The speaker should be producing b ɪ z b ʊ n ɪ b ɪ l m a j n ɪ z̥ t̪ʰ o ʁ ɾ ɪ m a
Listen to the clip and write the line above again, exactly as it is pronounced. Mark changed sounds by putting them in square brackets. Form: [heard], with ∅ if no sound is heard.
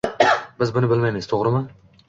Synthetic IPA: b ɪ z b ʊ n ɪ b ɪ l m a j [m] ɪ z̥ t̪ʰ o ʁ ɾ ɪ m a